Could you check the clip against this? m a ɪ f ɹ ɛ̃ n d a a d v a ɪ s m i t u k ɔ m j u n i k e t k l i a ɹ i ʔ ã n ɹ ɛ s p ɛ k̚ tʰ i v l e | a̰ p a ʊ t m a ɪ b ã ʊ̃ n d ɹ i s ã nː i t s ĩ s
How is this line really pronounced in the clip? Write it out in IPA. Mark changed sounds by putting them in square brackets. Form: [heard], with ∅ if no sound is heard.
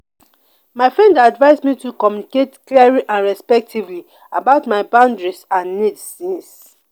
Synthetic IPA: m a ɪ f ɹ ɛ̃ n d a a d v a ɪ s m i t u k ɔ m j u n i k e t k l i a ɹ i ʔ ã n ɹ ɛ s p ɛ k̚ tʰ i v l [i] | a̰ [b] a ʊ t m a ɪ b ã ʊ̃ n d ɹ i s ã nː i t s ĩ s